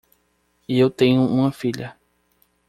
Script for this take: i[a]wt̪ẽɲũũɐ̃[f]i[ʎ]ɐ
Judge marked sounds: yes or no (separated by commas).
no, yes, yes